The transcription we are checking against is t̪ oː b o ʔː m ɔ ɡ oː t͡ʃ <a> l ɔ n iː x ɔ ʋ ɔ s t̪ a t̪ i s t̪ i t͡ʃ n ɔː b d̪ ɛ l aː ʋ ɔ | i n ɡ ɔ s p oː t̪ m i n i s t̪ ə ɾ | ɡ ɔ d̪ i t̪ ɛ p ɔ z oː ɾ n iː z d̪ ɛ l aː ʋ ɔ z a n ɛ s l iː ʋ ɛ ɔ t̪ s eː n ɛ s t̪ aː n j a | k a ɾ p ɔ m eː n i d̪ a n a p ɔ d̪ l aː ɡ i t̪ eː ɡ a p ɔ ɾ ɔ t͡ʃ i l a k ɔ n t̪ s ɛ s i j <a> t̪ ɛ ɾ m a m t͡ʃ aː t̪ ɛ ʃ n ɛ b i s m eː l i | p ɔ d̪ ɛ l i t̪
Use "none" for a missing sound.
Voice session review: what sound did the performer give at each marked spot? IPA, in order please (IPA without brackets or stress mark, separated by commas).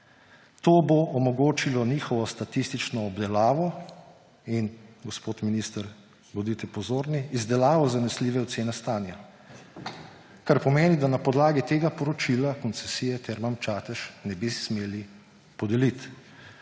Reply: i, ɛ